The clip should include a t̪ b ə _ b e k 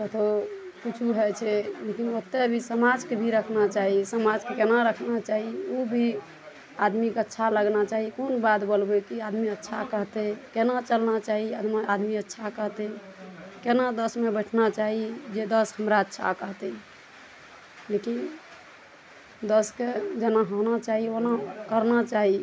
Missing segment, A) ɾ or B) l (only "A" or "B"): B